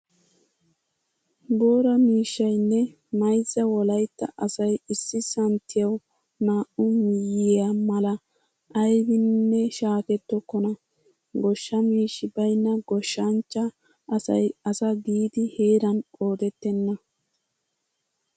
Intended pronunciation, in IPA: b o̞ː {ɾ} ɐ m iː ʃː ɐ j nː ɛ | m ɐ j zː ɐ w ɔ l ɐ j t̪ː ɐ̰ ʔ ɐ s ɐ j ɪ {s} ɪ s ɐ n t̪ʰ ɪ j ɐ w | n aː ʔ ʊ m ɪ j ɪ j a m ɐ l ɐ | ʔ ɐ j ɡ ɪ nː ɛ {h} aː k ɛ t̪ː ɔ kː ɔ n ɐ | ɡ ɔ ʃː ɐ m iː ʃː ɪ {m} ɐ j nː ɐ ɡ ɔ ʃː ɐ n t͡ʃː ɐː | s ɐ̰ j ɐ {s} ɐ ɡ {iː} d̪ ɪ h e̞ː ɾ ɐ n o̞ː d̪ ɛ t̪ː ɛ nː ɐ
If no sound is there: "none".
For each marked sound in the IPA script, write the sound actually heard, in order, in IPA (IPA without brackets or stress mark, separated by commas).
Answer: ɾ, sː, ʃ, b, s, iː